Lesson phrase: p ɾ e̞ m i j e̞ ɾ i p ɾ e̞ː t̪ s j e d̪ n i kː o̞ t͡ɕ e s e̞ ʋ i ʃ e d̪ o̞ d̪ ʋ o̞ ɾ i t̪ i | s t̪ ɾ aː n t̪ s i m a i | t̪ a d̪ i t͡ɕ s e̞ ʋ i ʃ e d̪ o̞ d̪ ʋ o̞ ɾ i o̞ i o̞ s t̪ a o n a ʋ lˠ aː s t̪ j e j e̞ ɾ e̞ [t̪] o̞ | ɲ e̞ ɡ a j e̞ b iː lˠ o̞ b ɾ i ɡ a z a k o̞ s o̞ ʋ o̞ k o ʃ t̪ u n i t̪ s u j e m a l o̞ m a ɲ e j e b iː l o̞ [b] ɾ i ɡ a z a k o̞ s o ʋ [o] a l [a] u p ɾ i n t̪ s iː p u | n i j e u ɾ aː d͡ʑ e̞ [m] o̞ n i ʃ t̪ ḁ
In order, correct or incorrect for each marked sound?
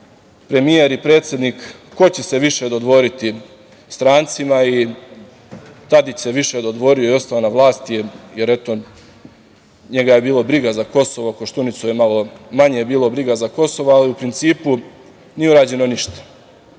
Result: correct, correct, correct, incorrect: i, incorrect: n

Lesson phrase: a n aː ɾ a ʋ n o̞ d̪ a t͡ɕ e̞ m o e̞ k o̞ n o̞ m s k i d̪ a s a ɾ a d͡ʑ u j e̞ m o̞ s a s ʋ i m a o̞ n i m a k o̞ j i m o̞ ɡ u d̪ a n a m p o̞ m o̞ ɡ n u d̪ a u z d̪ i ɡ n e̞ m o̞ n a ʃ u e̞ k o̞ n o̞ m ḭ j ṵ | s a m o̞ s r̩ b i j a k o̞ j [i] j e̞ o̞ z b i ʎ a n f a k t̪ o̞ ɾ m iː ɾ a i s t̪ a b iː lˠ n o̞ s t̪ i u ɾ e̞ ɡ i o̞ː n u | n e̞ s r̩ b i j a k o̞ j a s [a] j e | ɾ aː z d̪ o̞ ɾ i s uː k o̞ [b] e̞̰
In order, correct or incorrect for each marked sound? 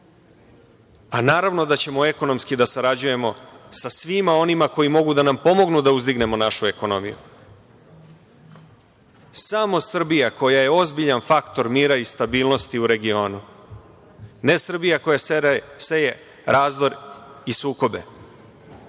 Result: incorrect: a, incorrect: e, correct

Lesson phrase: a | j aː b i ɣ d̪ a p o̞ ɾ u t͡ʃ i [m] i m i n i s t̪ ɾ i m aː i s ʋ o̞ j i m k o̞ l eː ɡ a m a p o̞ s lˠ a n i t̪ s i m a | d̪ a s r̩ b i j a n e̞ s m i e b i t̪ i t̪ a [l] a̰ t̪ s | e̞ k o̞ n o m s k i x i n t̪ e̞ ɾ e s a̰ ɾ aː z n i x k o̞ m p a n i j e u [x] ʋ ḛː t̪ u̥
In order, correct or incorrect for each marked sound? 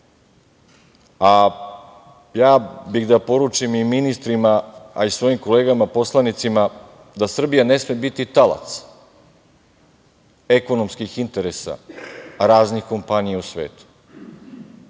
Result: correct, correct, incorrect: s

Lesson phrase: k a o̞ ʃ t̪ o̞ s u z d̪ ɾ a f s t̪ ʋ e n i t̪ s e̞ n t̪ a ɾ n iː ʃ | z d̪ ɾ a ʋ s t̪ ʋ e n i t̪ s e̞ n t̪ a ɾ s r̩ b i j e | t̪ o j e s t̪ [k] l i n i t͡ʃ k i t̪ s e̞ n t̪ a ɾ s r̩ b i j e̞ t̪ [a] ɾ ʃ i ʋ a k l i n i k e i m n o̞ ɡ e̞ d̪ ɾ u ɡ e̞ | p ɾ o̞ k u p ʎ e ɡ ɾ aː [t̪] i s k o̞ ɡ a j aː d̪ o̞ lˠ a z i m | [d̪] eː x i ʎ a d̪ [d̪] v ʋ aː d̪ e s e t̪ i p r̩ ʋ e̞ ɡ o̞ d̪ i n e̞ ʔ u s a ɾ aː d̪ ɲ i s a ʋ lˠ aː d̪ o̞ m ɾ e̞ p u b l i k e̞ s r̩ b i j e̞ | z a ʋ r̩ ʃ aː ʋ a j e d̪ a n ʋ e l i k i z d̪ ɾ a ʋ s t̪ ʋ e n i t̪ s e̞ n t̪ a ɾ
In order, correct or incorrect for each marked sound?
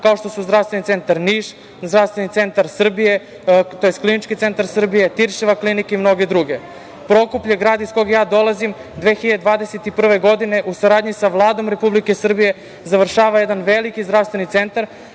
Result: correct, incorrect: i, incorrect: d̪, correct, correct

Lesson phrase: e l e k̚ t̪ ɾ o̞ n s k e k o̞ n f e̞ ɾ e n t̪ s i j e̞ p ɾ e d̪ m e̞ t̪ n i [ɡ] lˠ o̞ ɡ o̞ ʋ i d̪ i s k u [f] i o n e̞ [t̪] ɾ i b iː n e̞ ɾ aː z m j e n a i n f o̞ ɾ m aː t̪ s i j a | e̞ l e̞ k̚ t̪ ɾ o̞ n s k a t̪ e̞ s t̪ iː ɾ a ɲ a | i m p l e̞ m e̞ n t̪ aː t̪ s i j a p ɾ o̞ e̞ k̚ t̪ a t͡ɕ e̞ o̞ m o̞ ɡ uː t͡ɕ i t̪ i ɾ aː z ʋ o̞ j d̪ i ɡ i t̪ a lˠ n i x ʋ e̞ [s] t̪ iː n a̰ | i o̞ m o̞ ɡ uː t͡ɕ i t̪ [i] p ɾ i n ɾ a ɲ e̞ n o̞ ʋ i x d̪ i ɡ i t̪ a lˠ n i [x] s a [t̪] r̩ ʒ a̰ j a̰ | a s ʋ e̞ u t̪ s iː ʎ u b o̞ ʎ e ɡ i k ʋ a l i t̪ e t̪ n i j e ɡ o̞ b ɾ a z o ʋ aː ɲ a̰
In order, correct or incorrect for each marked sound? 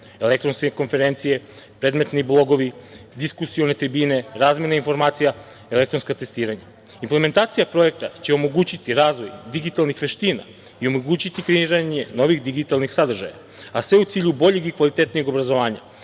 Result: incorrect: b, incorrect: s, correct, incorrect: ʃ, correct, correct, incorrect: d̪

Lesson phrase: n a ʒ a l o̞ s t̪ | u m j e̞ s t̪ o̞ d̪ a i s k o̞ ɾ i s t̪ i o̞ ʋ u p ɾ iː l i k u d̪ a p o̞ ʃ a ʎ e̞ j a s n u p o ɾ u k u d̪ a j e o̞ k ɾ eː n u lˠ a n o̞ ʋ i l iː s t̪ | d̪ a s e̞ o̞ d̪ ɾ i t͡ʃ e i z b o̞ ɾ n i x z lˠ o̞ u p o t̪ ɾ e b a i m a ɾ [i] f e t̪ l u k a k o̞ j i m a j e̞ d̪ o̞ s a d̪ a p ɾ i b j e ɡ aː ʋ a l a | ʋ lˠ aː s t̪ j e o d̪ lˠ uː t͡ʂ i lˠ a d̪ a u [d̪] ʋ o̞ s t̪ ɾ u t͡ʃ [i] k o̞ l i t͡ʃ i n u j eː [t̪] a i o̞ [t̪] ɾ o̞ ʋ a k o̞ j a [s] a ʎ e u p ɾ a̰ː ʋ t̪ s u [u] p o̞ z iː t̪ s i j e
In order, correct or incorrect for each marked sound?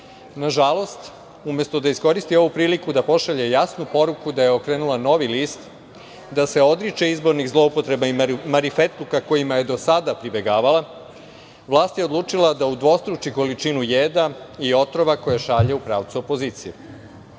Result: correct, correct, correct, incorrect: d̪, correct, incorrect: ʃ, incorrect: o

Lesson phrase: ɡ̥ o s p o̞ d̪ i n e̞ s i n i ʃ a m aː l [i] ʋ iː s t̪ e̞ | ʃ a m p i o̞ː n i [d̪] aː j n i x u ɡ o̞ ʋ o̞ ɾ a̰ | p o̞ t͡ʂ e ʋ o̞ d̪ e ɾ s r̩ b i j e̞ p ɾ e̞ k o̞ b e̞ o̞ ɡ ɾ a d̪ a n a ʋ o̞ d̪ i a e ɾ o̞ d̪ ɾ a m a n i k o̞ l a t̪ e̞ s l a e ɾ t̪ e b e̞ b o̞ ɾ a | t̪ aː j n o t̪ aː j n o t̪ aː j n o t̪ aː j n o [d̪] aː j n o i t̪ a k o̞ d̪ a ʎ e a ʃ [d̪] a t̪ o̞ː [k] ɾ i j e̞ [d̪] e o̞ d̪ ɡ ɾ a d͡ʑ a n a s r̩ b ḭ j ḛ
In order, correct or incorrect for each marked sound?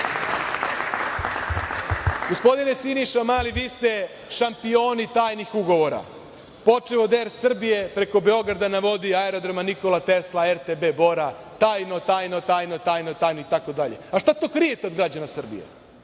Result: correct, incorrect: t̪, incorrect: t̪, incorrect: t̪, correct, incorrect: t̪

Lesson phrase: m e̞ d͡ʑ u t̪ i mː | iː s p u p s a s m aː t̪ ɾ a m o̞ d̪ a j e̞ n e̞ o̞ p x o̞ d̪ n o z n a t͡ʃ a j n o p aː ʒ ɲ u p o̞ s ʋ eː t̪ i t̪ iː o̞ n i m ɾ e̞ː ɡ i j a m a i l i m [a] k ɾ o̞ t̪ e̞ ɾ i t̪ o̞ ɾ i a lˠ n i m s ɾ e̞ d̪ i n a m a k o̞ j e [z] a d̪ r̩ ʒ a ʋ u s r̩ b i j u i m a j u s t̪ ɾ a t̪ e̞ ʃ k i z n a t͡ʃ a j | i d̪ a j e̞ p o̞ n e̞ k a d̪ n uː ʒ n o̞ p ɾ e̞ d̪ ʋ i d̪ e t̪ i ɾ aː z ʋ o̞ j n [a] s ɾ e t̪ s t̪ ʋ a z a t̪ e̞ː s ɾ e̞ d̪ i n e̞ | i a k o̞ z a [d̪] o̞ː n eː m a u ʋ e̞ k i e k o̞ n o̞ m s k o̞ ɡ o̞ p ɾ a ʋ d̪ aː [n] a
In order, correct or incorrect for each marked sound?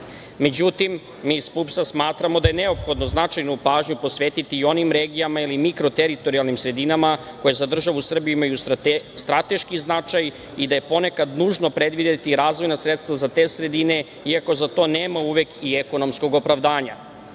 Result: incorrect: i, correct, correct, incorrect: t̪, incorrect: ɲ

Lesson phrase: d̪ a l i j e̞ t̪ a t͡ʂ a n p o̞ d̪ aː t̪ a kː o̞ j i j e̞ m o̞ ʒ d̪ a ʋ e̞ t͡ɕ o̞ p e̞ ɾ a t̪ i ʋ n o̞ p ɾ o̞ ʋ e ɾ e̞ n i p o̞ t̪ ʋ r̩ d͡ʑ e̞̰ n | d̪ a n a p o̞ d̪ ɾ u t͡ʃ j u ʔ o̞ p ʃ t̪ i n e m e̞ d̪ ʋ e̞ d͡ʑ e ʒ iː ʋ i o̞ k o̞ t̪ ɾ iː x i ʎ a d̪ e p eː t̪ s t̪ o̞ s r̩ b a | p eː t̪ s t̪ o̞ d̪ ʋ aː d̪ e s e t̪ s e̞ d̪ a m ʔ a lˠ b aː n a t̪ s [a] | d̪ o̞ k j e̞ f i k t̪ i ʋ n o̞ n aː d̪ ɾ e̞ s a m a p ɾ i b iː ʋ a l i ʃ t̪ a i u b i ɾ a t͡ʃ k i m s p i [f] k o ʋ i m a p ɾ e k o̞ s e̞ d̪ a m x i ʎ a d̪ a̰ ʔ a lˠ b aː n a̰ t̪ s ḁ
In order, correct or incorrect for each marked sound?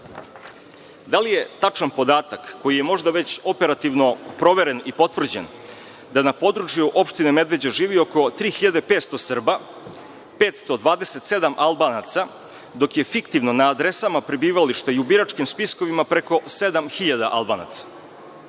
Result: correct, incorrect: s

